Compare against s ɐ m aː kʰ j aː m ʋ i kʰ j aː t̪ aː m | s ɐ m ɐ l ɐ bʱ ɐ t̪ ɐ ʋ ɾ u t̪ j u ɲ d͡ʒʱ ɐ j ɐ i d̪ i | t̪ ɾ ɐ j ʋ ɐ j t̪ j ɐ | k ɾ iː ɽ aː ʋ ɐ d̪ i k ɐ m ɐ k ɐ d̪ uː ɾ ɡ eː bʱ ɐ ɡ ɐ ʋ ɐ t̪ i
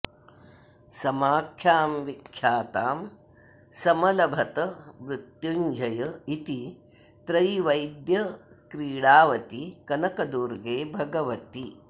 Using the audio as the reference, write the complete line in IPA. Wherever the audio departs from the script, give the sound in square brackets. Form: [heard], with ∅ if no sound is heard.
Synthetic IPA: s ɐ m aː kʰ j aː m ʋ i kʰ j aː t̪ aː m | s ɐ m ɐ l ɐ bʱ ɐ t̪ ɐ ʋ ɾ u t̪ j u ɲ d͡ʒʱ ɐ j ɐ i [t̪] i | t̪ ɾ ɐ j ʋ ɐ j [d̪] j ɐ | k ɾ iː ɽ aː ʋ ɐ [t̪] i k ɐ [n] ɐ k ɐ d̪ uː ɾ ɡ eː bʱ ɐ ɡ ɐ ʋ ɐ t̪ i